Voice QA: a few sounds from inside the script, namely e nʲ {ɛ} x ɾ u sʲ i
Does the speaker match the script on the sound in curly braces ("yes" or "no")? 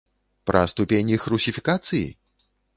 no